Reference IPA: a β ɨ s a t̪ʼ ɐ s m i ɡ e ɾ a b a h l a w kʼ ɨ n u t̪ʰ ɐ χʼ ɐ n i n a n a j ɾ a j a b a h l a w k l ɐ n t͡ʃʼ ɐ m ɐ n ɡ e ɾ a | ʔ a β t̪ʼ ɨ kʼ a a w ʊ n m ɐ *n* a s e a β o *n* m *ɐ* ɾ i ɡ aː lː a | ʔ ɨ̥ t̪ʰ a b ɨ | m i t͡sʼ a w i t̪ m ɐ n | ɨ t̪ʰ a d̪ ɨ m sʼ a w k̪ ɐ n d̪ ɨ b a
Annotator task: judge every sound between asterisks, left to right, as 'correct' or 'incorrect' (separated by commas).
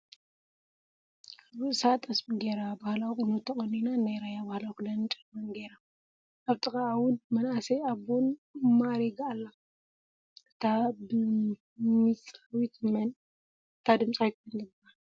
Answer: correct, correct, incorrect